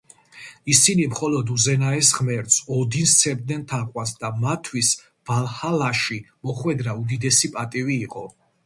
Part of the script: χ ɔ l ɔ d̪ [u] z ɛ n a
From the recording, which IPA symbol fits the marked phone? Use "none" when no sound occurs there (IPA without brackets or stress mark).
u